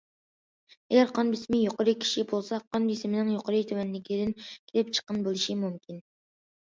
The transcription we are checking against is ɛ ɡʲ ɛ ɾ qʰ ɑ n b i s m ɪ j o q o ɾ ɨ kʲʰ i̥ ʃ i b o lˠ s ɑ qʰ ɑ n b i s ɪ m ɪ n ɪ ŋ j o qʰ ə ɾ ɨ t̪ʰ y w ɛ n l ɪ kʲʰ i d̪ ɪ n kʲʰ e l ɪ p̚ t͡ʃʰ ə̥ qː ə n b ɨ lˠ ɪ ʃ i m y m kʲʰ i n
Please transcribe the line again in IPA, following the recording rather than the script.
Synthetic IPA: ɛ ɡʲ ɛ ɾ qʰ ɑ n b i s m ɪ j o q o ɾ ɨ kʲʰ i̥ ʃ i b o lˠ s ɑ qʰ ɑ n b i s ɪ m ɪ n ɪ ŋ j o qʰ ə ɾ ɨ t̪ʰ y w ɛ n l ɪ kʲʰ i d̪ ɪ n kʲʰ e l ɪ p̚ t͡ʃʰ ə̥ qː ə n b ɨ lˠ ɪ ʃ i m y m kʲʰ i n